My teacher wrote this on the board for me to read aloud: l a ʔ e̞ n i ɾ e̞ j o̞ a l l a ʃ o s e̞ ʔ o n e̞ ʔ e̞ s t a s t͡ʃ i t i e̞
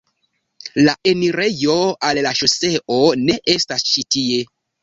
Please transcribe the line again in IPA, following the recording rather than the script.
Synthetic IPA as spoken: l a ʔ e̞ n i ɾ e̞ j o̞ a l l a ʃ o s e̞ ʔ o n e̞ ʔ e̞ s t a s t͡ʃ i t i e̞